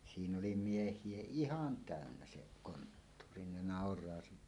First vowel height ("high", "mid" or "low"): high